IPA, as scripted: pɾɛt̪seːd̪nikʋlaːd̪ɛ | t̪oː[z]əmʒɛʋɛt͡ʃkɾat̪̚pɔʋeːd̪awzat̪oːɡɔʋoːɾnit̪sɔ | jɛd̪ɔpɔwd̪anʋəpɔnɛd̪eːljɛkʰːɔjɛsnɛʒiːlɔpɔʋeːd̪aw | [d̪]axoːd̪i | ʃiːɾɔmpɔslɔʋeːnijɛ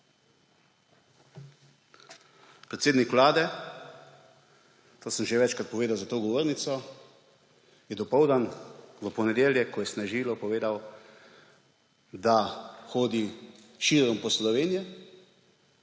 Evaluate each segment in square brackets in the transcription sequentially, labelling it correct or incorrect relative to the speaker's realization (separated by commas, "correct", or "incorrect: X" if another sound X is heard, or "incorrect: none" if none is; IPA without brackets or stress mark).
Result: incorrect: s, correct